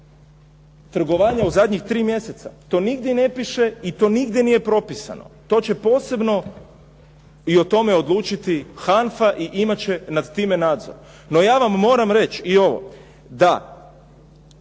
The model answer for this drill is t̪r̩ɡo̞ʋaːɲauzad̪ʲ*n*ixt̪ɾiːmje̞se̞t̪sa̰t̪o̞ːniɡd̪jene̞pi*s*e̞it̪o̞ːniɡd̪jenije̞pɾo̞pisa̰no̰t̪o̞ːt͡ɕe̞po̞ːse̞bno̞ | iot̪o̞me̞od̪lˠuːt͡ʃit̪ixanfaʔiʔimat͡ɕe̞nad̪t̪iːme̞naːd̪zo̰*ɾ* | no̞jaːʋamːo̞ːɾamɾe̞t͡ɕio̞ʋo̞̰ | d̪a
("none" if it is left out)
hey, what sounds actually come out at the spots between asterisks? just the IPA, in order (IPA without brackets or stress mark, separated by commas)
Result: ɲ, ʃ, ɾ